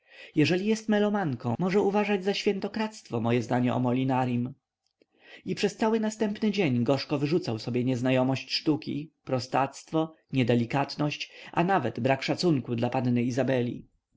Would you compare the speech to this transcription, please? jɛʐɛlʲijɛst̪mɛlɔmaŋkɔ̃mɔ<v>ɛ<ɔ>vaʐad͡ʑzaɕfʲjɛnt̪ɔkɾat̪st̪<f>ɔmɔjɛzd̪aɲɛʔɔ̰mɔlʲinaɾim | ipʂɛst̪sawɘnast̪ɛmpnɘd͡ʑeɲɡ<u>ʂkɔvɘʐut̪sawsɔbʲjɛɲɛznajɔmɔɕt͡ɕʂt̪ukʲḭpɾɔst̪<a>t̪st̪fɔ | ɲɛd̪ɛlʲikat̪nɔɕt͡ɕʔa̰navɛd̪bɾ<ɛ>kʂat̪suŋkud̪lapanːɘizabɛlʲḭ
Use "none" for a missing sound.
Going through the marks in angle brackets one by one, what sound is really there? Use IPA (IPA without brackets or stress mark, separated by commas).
ʐ, u, f, ɔ, a, a